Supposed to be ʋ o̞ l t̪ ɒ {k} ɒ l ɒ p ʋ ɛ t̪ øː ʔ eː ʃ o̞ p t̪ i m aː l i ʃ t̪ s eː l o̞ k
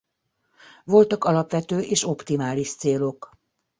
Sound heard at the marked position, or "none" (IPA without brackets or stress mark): k